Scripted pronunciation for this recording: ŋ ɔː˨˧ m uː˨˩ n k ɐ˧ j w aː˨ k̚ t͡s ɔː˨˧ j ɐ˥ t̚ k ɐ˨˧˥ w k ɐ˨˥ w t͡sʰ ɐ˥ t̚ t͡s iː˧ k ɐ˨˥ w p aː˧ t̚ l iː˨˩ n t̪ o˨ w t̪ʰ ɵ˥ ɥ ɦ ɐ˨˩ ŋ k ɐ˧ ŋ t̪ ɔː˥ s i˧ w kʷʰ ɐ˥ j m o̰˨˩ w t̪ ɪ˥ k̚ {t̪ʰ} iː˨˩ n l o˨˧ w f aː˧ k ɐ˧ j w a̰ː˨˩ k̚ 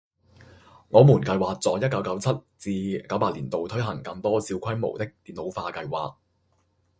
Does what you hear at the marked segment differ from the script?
yes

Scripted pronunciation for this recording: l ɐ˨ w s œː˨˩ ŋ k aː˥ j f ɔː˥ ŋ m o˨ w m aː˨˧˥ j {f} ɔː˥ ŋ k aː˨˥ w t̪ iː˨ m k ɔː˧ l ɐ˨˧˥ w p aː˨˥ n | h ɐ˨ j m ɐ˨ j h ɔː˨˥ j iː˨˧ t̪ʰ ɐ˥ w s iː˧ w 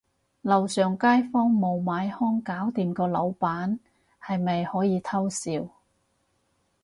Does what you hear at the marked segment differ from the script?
yes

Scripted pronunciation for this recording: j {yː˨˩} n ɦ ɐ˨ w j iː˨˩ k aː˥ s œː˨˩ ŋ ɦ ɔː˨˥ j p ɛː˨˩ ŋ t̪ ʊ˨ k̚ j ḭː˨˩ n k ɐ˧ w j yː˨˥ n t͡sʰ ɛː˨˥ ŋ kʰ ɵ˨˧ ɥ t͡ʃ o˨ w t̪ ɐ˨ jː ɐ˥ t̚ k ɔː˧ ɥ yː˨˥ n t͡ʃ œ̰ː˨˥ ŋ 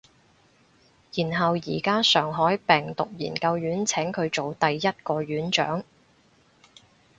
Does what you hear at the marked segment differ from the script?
yes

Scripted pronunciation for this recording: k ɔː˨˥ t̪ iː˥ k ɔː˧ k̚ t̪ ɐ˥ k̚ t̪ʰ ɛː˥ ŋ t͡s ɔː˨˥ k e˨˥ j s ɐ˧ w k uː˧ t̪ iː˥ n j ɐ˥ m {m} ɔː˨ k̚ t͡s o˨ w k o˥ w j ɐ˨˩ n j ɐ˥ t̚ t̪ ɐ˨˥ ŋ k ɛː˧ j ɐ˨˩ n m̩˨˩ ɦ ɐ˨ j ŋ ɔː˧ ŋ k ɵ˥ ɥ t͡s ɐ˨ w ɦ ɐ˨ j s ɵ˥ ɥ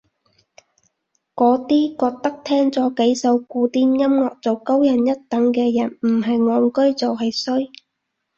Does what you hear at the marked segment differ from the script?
yes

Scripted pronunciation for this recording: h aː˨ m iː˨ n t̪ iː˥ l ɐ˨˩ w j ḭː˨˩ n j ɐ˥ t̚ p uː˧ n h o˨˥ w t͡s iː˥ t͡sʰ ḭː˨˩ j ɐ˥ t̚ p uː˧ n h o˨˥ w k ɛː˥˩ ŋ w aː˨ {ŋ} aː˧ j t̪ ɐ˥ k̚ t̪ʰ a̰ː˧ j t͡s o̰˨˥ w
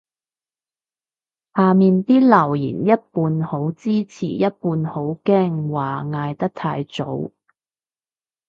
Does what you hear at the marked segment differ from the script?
no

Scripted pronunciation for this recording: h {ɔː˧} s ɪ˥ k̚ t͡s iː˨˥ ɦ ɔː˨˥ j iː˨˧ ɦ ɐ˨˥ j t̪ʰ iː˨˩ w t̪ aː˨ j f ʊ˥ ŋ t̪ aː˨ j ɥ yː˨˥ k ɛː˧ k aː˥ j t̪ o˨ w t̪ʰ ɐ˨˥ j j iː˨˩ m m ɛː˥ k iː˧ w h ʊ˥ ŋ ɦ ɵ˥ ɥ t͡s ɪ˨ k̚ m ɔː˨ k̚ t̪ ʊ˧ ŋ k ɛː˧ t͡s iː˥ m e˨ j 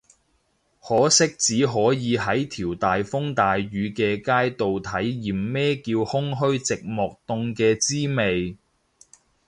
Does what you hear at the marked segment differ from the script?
yes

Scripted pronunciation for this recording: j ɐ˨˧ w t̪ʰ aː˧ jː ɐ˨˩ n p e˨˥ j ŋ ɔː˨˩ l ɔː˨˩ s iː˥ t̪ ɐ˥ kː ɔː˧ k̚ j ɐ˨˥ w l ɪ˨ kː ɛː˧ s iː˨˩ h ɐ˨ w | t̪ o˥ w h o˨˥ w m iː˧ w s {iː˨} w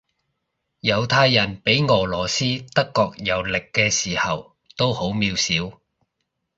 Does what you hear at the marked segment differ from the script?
yes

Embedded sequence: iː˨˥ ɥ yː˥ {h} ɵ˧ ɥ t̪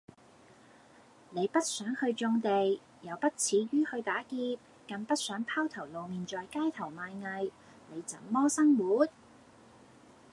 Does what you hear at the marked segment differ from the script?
no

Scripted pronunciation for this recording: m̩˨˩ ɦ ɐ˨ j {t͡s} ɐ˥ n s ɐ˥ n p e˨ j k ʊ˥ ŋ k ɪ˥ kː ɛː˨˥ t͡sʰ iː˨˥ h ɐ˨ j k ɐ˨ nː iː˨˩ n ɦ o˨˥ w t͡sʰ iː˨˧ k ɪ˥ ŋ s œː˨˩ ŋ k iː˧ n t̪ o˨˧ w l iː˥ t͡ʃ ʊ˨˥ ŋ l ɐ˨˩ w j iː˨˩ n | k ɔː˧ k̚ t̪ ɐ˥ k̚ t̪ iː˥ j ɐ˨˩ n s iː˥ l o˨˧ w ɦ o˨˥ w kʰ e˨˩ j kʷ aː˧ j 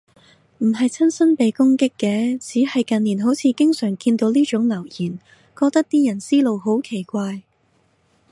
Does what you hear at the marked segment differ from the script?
yes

